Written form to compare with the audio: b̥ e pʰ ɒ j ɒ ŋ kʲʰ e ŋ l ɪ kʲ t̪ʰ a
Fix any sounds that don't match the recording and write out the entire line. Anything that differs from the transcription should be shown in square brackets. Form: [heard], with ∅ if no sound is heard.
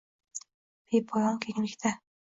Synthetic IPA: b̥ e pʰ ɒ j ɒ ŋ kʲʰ e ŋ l ɪ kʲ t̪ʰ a